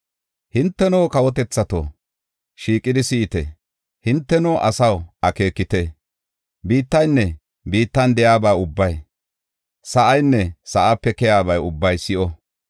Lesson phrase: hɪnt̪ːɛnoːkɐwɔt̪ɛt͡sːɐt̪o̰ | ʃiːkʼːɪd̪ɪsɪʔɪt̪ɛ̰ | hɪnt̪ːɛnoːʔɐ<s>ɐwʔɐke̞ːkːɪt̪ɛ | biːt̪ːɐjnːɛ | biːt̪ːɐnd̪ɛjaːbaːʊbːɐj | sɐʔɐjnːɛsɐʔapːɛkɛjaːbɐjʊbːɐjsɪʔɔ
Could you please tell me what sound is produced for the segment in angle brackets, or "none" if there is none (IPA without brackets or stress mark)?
s